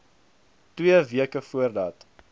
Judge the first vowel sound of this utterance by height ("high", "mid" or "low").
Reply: high